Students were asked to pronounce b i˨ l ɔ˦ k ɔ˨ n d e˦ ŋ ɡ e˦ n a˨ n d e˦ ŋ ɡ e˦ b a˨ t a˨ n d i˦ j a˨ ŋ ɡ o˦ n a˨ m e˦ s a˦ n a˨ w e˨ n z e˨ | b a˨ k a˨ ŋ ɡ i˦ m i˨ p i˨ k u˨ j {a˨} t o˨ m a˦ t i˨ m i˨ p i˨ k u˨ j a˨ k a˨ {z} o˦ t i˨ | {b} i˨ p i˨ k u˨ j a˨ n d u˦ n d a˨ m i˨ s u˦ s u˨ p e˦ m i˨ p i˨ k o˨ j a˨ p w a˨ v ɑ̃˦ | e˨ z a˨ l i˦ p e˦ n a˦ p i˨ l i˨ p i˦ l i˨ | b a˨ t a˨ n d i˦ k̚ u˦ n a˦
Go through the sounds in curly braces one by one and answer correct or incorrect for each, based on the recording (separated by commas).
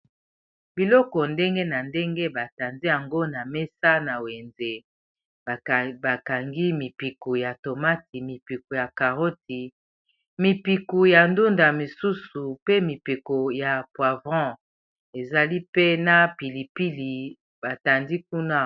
correct, incorrect, incorrect